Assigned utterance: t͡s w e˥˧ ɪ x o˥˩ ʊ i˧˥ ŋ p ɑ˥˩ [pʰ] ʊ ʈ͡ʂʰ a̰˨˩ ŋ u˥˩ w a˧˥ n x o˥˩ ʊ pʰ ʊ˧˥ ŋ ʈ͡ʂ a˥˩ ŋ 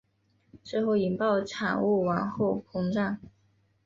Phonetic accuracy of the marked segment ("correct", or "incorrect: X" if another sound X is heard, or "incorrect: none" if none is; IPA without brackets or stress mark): incorrect: none